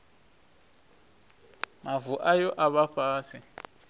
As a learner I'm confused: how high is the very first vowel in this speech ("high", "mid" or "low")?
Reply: low